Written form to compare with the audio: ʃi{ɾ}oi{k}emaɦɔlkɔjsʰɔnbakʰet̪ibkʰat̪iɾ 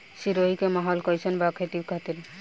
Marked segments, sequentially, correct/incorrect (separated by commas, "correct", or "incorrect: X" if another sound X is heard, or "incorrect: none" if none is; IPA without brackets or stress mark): correct, correct